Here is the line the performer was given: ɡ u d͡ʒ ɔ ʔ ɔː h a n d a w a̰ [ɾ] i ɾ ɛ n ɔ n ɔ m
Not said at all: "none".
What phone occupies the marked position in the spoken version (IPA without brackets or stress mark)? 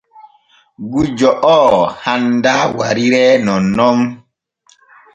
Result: ɾ